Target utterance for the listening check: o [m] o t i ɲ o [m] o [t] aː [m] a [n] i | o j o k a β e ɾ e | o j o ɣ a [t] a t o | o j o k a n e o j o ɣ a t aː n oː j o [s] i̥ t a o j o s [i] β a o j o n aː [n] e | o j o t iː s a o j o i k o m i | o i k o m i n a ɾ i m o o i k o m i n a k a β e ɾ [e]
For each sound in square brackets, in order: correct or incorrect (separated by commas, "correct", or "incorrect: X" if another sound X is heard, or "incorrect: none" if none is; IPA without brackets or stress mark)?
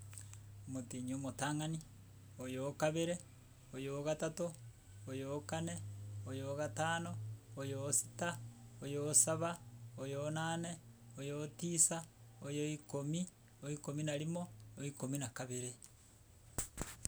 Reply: correct, correct, correct, incorrect: ŋ, correct, correct, correct, incorrect: a, correct, correct